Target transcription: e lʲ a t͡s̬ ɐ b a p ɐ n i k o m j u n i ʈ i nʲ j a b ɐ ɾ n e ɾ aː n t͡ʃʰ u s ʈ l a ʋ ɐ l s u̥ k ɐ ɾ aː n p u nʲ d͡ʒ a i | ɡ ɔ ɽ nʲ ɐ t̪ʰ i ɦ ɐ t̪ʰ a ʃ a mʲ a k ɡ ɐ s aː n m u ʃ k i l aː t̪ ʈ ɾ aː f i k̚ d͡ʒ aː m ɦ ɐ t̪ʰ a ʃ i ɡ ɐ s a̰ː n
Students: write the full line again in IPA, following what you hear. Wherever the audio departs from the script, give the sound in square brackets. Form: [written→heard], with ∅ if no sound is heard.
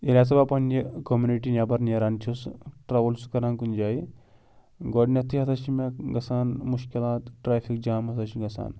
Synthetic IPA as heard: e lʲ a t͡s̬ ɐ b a p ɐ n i k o m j u n i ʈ i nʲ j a b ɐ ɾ n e ɾ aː n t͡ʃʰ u s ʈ [l→ɾ] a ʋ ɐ l s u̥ k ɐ ɾ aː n [p→k] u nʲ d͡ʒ a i | ɡ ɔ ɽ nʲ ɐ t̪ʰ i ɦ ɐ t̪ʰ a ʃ [a→i] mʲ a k ɡ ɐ s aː n m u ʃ k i l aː t̪ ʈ ɾ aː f i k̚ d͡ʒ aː m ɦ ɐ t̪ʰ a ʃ i ɡ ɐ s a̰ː n